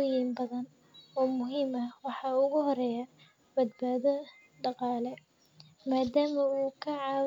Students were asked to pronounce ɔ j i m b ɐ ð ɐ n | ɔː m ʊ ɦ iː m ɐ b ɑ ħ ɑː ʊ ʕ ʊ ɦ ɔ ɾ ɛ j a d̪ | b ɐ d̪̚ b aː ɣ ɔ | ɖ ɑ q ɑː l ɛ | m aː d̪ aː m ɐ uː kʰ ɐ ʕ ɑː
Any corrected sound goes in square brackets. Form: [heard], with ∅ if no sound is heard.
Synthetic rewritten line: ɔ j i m b ɐ ð ɐ n | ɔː m ʊ ɦ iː m ɐ [w] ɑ ħ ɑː ʊ [ɣ] ʊ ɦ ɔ ɾ ɛ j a [∅] | b ɐ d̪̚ b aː [ð] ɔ | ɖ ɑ q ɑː l ɛ | m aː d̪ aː m ɐ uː kʰ ɐ ʕ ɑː

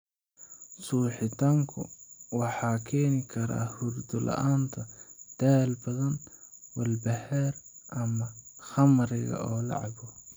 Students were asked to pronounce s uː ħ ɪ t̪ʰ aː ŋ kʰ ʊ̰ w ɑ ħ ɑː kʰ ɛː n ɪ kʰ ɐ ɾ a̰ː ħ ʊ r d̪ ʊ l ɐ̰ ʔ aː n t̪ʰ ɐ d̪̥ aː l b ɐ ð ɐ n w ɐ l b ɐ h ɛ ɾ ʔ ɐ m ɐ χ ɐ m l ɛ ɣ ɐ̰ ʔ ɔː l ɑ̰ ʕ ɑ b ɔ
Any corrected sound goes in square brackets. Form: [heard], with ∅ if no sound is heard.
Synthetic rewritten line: s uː ħ ɪ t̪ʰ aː ŋ kʰ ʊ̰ w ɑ ħ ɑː kʰ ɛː n ɪ kʰ ɐ ɾ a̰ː [h] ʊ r d̪ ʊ l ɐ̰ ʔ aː n t̪ʰ ɐ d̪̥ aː l b ɐ ð ɐ n w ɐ l b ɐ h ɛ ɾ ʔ ɐ m ɐ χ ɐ m [ɾ] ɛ ɣ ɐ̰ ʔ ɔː l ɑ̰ ʕ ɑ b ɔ

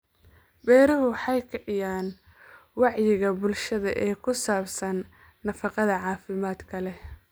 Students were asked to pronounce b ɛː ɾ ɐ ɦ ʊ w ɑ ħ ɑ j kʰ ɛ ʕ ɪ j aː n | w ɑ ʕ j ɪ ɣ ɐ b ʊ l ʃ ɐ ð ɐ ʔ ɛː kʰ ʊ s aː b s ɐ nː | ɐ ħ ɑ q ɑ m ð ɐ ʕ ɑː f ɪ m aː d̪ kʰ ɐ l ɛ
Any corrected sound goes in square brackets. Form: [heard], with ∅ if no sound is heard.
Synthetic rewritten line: b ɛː ɾ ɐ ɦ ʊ w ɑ ħ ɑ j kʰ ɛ ʕ ɪ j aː n | w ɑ ʕ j ɪ ɣ ɐ b ʊ l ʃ ɐ ð ɐ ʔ ɛː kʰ ʊ s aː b s ɐ nː | ɐ [f] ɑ q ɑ [∅] ð ɐ ʕ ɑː f ɪ m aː d̪ kʰ ɐ l ɛ

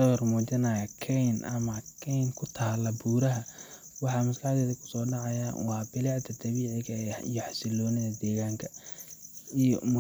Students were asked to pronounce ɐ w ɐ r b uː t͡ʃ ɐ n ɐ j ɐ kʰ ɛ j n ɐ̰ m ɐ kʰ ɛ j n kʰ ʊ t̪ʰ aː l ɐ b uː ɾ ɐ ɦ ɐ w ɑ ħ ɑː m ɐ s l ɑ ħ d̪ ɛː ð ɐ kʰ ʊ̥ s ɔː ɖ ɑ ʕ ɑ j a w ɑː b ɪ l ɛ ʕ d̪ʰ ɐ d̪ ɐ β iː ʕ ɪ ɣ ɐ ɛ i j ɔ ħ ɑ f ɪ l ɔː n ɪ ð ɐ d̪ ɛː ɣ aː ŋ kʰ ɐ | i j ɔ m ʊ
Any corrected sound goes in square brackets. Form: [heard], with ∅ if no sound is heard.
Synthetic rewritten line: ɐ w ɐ r [m] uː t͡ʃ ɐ n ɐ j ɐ kʰ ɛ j n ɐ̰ m ɐ kʰ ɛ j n kʰ ʊ t̪ʰ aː l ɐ b uː ɾ ɐ ɦ ɐ w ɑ ħ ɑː m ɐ s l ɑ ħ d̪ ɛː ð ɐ kʰ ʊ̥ s ɔː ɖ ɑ ʕ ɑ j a w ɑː b ɪ l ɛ ʕ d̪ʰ ɐ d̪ ɐ β iː ʕ ɪ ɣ ɐ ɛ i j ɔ ħ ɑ [s] ɪ l ɔː n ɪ ð ɐ d̪ ɛː ɣ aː ŋ kʰ ɐ | i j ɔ m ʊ

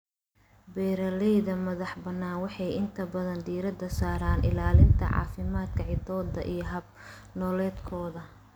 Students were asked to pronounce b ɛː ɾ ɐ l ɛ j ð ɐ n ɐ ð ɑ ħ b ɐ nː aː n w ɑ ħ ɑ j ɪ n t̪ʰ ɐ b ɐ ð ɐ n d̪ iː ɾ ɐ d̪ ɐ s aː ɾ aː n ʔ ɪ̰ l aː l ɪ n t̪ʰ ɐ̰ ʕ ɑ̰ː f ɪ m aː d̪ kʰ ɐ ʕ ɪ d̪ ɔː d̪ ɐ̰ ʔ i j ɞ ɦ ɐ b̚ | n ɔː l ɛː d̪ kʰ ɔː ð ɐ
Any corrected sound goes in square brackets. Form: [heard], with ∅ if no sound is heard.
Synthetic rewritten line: b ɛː ɾ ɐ l ɛ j ð ɐ [m] ɐ ð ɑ ħ b ɐ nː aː n w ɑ ħ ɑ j ɪ n t̪ʰ ɐ b ɐ ð ɐ n d̪ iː ɾ ɐ d̪ ɐ s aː ɾ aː n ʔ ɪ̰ l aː l ɪ n t̪ʰ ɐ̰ ʕ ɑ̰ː f ɪ m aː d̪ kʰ ɐ ʕ ɪ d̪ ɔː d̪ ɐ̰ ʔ i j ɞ ɦ ɐ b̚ | n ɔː l ɛː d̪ kʰ ɔː ð ɐ

